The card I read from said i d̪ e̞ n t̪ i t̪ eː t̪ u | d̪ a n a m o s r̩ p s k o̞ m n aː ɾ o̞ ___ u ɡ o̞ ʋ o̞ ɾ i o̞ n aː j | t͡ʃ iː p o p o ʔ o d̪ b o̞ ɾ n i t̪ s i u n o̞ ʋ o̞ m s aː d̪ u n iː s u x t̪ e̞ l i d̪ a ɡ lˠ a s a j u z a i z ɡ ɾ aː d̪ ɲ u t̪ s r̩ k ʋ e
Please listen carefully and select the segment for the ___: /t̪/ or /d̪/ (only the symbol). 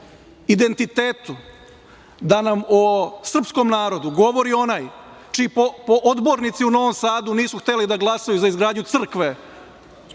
d̪